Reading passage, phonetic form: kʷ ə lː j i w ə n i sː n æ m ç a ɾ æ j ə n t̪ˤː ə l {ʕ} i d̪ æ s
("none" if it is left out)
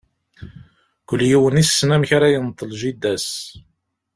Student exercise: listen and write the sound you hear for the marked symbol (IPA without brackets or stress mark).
ʒ